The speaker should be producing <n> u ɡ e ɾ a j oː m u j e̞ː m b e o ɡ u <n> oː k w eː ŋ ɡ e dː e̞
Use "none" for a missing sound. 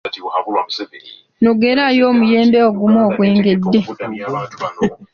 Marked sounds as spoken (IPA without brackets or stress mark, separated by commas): n, m